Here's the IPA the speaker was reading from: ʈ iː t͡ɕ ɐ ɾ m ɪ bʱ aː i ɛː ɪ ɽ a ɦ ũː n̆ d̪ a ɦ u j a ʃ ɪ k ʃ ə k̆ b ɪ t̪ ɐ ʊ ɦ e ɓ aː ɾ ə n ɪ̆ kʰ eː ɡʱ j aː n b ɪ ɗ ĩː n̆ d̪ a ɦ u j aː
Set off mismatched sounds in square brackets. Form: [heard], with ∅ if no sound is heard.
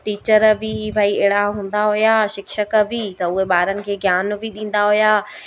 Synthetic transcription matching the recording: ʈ iː t͡ɕ [ə] ɾ [b] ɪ bʱ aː i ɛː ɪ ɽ a ɦ ũː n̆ d̪ a ɦ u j a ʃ ɪ k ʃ ə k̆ b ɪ t̪ ɐ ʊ ɦ e ɓ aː ɾ ə n ɪ̆ kʰ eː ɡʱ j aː n b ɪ ɗ ĩː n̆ d̪ a ɦ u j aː

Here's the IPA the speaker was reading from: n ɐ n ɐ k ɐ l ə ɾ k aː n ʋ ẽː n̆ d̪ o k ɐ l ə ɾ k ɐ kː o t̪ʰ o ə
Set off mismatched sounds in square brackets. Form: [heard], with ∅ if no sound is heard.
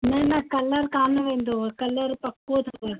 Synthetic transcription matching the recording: n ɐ n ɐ k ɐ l ə ɾ k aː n ʋ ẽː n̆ d̪ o k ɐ l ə ɾ [p] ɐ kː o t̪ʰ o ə

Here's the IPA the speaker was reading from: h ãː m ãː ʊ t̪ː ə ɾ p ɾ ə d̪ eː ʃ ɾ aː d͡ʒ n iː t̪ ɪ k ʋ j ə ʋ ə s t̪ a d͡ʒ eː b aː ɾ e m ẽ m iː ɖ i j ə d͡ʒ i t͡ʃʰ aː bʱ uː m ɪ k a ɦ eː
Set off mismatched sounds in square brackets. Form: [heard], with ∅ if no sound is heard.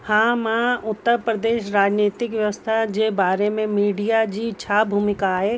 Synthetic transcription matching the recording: h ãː m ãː ʊ t̪ː ə ɾ p ɾ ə d̪ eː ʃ ɾ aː d͡ʒ n iː t̪ ɪ k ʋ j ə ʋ ə s [t̪ʰ] a d͡ʒ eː b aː ɾ e m ẽ m iː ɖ i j [a] d͡ʒ i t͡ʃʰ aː bʱ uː m ɪ k a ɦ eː

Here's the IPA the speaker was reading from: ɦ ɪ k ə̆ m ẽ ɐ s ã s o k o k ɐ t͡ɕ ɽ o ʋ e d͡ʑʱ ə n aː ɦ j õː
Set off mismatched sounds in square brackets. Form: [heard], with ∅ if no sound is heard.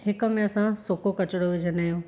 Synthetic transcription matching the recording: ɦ ɪ k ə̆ m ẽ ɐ s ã s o k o k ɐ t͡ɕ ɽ o ʋ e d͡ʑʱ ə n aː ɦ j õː

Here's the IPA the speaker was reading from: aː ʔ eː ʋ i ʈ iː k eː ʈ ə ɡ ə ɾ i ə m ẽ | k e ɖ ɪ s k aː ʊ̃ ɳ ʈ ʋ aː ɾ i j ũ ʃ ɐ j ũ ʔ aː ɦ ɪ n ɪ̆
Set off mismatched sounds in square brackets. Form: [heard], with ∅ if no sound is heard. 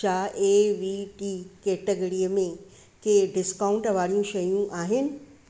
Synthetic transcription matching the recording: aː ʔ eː ʋ i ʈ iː k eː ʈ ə ɡ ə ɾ i ə m ẽ | k e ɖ ɪ s k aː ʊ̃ ɳ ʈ ʋ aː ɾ i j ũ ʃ ɐ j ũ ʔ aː ɦ ɪ n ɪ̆

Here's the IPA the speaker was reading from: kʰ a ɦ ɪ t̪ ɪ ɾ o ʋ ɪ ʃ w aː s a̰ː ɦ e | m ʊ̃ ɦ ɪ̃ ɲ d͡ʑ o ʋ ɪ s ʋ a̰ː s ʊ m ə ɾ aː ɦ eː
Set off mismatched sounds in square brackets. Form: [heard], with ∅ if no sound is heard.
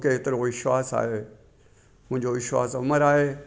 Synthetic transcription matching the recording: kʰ [e] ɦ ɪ t̪ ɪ ɾ o ʋ ɪ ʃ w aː s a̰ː ɦ e | m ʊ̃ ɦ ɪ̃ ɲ d͡ʑ o ʋ ɪ [ʃ] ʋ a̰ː s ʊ m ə ɾ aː ɦ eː

